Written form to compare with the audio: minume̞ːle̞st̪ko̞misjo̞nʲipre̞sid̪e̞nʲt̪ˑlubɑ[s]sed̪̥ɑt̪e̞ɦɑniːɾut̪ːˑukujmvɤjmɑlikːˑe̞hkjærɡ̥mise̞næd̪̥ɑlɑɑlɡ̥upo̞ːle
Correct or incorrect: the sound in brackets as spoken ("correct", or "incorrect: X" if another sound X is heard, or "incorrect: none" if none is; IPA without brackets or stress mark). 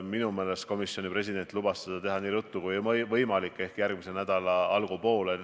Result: correct